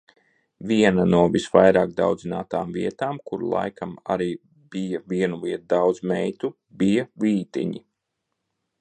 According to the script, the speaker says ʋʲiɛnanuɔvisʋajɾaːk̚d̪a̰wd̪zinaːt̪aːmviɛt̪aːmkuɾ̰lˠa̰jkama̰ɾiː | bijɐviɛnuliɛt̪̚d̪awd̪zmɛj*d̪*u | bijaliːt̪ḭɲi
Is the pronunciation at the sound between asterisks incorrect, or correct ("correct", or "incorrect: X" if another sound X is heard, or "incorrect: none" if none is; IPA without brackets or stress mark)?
incorrect: t̪